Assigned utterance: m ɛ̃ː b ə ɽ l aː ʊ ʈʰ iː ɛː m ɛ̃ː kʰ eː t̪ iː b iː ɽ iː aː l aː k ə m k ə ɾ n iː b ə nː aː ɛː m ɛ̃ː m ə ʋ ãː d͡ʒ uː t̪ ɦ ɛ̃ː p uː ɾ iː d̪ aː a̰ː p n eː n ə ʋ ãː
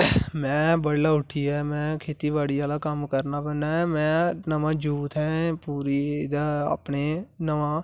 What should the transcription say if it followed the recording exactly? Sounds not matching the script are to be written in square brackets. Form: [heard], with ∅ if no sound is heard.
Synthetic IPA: m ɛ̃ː b ə ɽ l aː ʊ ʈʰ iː ɛː m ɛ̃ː kʰ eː t̪ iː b [aː] ɽ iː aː l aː k ə m k ə ɾ n [aː] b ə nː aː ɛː m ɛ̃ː [n] ə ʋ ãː d͡ʒ uː t̪ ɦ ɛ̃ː p uː ɾ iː d̪ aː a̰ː p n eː n ə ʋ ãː